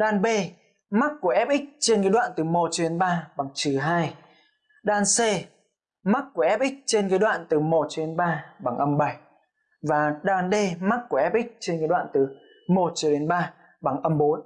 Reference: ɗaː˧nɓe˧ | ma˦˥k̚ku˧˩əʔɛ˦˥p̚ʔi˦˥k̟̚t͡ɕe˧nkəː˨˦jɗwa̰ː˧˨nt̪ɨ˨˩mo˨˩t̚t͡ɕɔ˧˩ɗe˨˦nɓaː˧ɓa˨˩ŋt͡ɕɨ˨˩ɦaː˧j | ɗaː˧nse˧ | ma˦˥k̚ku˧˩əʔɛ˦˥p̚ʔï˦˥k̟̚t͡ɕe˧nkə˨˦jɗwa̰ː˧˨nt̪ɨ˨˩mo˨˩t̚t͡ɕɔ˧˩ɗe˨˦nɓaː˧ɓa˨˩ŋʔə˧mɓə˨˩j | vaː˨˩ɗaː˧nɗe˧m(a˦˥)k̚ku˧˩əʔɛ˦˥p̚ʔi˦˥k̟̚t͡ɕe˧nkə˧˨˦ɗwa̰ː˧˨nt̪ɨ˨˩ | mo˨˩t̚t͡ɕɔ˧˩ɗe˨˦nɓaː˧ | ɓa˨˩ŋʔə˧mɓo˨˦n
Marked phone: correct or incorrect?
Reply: correct